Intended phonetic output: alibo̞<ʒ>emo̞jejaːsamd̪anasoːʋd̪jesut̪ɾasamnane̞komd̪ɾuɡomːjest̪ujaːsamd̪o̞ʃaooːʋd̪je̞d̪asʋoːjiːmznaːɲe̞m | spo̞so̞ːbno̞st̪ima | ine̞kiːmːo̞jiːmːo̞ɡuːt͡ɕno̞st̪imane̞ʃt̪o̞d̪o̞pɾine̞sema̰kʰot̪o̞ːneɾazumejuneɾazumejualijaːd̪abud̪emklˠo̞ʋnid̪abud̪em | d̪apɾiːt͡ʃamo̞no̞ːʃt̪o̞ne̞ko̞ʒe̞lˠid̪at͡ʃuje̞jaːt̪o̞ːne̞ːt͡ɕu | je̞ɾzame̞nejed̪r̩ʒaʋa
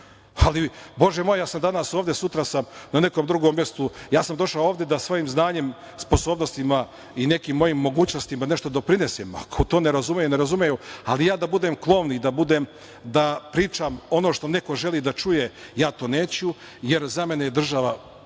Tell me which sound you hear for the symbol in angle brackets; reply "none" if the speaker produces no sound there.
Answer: ʒ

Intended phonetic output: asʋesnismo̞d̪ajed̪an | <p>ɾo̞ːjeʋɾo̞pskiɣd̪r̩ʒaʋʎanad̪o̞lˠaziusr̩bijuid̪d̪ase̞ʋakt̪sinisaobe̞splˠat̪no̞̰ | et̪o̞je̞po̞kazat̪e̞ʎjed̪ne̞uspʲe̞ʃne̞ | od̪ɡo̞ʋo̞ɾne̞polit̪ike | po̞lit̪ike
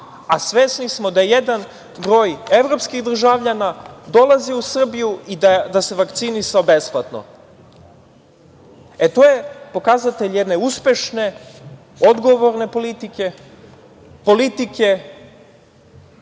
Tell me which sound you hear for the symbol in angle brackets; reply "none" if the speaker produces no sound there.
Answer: b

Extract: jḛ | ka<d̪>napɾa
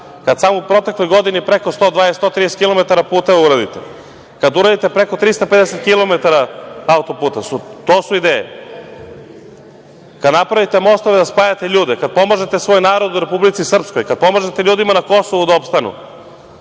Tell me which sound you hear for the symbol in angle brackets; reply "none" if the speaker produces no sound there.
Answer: d̪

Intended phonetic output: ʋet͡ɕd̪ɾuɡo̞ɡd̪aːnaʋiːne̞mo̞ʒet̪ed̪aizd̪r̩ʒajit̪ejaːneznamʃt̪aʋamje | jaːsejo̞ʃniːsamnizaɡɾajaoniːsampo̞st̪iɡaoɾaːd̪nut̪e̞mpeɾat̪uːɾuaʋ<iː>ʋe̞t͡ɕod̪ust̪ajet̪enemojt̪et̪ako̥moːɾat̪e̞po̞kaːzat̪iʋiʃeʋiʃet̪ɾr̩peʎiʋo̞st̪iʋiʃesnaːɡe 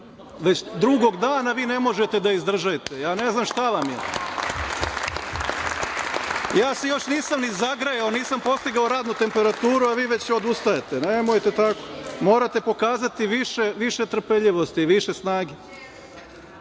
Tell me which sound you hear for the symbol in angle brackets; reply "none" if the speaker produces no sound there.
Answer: iː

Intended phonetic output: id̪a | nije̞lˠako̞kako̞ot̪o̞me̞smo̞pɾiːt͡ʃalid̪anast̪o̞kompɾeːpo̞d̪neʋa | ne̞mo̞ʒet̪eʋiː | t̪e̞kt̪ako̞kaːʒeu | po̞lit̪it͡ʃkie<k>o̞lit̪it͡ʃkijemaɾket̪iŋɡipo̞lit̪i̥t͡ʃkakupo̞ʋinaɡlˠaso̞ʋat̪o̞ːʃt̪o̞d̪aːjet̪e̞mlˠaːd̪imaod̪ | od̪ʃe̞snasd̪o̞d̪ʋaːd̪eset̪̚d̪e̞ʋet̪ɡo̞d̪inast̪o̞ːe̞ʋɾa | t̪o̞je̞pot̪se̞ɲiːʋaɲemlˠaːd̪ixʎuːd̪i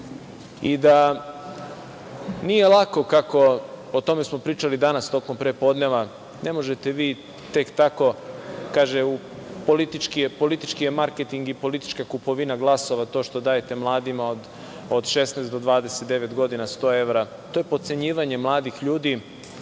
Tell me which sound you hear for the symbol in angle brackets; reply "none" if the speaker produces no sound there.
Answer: p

